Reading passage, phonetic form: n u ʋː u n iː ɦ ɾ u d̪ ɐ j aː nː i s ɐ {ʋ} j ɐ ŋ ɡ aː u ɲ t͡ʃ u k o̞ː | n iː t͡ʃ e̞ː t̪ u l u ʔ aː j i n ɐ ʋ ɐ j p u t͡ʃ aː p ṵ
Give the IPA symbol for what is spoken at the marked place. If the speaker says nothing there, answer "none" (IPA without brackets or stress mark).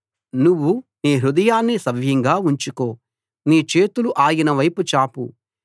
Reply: ʋ